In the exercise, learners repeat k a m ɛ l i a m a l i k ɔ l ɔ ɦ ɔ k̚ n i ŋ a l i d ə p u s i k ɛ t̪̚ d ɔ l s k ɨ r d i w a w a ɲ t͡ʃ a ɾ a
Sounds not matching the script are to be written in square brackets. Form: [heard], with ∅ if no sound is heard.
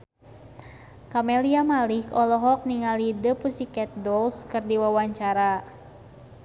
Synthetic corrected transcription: k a m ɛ l i a m a l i k ɔ l ɔ ɦ ɔ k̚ n i ŋ a l i d ə p u s i k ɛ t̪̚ d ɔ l s k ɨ r d i w a w a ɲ t͡ʃ a ɾ a